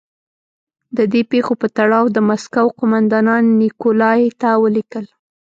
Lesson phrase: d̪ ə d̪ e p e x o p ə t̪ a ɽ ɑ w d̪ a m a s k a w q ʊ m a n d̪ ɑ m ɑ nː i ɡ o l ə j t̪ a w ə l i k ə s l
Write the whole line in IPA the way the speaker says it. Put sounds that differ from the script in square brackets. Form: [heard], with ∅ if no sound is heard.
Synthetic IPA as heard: d̪ ə d̪ e p e x o p ə t̪ a ɽ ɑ w d̪ [ə] m a s k a w q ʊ m a n d̪ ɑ [n] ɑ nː i [k] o l [ɑ] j t̪ a w ə l i k ə [∅] l